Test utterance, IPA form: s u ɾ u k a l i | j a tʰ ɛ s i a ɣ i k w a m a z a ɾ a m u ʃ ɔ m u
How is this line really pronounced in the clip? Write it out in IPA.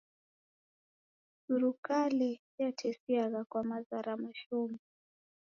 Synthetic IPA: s u ɾ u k a l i | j a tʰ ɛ s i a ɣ a k w a m a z a ɾ a m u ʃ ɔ m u

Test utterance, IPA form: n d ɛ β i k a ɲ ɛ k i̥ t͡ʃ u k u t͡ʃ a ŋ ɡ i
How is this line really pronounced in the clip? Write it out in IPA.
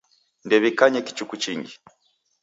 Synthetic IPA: n d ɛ β i k a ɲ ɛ k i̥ t͡ʃ u k u t͡ʃ i ŋ ɡ i

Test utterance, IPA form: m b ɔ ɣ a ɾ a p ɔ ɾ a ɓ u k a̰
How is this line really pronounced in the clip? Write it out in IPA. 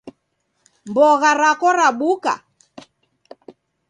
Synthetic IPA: m b ɔ ɣ a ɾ a k ɔ ɾ a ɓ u k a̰

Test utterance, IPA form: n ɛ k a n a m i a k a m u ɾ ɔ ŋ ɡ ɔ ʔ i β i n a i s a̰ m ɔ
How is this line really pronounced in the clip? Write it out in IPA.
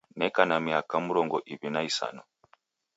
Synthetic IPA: n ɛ k a n a m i a k a m u ɾ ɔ ŋ ɡ ɔ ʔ i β i n a i s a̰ n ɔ

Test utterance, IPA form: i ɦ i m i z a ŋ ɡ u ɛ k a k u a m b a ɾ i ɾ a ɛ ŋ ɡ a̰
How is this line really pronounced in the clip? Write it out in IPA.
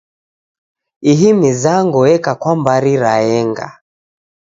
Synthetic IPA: i ɦ i m i z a ŋ ɡ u ɛ k a k w a m b a ɾ i ɾ a ɛ ŋ ɡ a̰

